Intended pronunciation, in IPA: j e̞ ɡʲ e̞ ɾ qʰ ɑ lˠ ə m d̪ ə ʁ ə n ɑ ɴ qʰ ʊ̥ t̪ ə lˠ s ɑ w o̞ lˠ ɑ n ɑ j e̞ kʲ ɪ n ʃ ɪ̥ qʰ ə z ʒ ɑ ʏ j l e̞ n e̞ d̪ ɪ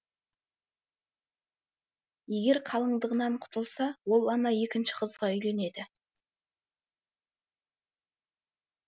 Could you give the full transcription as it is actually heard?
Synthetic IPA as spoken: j e̞ ɡʲ e̞ ɾ qʰ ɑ lˠ ə ɴ d̪ ə ʁ ə n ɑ ɴ qʰ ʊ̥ t̪ ə lˠ s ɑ w o̞ lˠ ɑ n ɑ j e̞ kʲ ɪ n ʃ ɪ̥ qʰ ə z ʁ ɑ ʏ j l e̞ n e̞ d̪ ɪ

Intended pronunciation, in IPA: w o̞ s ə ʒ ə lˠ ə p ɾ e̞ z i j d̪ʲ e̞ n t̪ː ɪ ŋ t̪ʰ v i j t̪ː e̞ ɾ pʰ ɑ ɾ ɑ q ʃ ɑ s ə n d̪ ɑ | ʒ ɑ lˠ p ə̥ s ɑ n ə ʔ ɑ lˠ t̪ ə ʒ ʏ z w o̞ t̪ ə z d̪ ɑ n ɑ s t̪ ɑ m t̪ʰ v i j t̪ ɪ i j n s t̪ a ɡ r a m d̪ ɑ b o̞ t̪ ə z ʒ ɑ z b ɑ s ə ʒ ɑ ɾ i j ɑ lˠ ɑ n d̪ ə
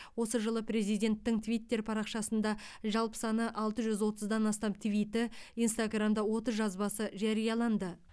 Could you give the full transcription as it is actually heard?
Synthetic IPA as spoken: w o̞ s ə ʒ ə lˠ ə p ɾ e̞ z i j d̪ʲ e̞ n t̪ː ɪ ŋ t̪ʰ v i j t̪ː e̞ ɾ pʰ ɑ ɾ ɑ q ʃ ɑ s ə n d̪ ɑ | ʒ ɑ lˠ p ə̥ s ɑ n ə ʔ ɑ lˠ t̪ ə ʒ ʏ z w o̞ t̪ ə z d̪ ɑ n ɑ s t̪ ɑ m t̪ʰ v i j t̪ ɪ i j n s t̪ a ɡ r a m d̪ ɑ w o̞ t̪ ə z ʒ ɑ z b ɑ s ə ʒ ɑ ɾ i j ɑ lˠ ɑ n d̪ ə

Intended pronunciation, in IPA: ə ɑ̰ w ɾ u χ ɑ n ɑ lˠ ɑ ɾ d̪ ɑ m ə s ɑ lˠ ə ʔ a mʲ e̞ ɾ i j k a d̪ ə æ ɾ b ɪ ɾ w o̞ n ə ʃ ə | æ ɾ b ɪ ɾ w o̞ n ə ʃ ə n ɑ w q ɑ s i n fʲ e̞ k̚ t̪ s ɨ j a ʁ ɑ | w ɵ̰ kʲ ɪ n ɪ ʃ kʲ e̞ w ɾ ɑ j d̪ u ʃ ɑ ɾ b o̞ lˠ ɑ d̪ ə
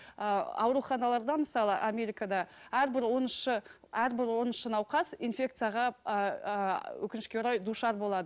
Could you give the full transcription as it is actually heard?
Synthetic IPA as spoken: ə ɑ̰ w ɾ u χ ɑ n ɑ lˠ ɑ ɾ d̪ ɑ m ə s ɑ lˠ ə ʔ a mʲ e̞ ɾ i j k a d̪ ɑ æ ɾ b ɪ ɾ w o̞ n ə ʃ ə | æ ɾ b ɪ ɾ w o̞ n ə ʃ ə n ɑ w q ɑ s i n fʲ e̞ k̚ t̪ s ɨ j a ʁ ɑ | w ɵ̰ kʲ ɪ n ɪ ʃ kʲ e̞ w ɾ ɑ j d̪ u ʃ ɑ ɾ b o̞ lˠ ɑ d̪ ə

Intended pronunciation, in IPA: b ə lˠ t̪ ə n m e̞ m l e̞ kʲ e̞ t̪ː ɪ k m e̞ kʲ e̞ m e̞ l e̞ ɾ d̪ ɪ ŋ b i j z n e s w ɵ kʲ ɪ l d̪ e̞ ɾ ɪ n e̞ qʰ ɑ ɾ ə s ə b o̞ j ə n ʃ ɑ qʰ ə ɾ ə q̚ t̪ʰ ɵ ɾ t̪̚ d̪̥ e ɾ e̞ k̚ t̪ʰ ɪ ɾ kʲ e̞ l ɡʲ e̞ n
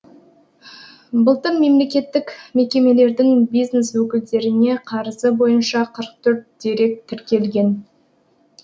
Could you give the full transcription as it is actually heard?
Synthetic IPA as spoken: b ə lˠ t̪ ə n m e̞ m l e̞ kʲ e̞ t̪ː ɪ k m e̞ kʲ e̞ m e̞ l e̞ ɾ d̪ ɪ ŋ b i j z n e s w ɵ kʲ ɪ l d̪ e̞ ɾ ɪ n e̞ qʰ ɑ ɾ ə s ə b o̞ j ə n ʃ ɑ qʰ ə ɾ ə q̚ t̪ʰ ɵ ɾ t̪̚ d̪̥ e ɾ e̞ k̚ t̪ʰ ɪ ɾ kʲ e̞ l ɡʲ e̞ n

